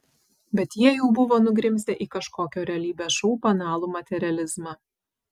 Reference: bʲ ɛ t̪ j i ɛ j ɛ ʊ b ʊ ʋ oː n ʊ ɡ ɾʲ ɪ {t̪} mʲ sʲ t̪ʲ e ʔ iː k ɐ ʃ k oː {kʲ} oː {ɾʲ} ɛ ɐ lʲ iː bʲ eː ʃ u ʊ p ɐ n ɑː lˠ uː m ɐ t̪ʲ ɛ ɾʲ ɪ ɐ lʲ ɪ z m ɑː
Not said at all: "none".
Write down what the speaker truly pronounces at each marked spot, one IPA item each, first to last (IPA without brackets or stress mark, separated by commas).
none, kʲ, ɾʲ